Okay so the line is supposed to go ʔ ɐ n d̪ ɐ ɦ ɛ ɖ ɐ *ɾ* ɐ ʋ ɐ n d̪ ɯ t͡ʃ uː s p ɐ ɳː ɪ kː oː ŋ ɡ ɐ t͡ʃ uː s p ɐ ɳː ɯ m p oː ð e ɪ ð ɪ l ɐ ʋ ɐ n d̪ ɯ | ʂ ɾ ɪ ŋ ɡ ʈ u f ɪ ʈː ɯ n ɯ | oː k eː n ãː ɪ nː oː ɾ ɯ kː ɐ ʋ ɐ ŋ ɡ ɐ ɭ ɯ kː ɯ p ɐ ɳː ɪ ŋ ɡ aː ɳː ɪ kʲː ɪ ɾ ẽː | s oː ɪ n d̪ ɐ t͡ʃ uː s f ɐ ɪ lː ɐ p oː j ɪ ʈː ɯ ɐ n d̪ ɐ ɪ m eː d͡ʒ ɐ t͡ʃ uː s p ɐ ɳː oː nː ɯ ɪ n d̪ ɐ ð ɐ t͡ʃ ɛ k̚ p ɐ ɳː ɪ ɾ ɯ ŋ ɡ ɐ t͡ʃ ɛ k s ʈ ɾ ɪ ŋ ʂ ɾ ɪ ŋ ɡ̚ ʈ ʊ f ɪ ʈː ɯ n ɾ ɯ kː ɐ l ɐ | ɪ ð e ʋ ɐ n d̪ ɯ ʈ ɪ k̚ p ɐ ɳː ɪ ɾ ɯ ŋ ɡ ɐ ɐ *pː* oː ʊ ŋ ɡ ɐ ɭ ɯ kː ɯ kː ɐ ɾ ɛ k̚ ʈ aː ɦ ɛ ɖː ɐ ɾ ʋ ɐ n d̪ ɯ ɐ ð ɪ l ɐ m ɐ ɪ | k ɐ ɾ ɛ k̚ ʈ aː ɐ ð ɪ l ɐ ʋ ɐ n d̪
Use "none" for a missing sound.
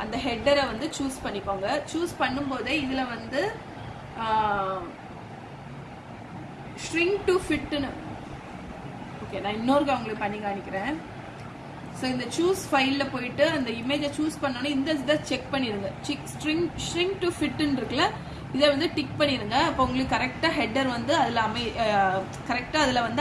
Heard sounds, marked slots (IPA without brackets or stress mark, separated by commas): ɾ, pː